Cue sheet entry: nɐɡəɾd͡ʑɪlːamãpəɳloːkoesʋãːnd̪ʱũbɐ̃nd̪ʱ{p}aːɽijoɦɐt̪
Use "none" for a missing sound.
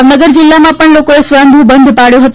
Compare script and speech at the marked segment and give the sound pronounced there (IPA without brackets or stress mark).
p